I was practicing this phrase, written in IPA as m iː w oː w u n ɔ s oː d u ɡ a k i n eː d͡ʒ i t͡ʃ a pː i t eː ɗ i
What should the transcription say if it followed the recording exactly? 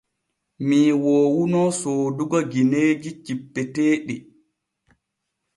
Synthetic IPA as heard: m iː w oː w u n ɔ s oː d u ɡ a ɡ i n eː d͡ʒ i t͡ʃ i pː ɛ t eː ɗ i